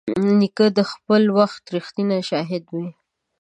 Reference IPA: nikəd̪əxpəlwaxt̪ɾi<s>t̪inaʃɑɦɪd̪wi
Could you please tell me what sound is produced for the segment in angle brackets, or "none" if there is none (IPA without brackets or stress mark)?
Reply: x